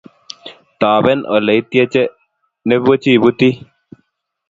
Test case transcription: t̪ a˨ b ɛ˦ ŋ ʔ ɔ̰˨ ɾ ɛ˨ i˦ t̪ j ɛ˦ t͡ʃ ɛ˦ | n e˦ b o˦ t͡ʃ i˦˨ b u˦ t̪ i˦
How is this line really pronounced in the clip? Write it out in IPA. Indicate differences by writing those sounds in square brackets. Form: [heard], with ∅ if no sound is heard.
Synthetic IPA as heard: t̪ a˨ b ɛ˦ [n] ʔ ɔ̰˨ [l] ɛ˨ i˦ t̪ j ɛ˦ t͡ʃ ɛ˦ | n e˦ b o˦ t͡ʃ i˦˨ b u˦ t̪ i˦